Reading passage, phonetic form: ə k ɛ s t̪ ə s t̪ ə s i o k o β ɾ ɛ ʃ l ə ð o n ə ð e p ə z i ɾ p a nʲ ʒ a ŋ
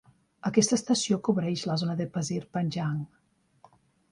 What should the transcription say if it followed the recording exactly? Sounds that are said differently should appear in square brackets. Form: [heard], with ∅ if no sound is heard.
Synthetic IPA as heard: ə k ɛ s t̪ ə s t̪ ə s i o k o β ɾ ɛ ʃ l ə [z] o n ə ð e p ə z i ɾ p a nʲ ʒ a ŋ